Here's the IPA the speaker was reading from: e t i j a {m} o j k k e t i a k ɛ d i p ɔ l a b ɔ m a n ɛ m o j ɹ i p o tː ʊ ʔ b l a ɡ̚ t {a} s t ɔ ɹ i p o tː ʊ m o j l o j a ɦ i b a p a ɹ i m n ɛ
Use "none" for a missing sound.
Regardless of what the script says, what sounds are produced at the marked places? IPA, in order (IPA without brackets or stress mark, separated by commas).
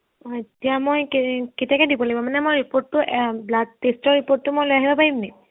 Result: m, e